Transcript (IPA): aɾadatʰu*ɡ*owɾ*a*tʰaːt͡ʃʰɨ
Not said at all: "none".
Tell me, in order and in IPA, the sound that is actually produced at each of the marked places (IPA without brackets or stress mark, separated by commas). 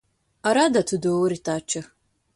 d, i